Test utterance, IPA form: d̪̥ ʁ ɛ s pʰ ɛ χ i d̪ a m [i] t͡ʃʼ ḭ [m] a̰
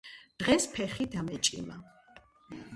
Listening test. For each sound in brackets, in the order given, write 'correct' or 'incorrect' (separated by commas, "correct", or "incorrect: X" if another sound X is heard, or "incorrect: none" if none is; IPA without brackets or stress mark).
incorrect: ɛ, correct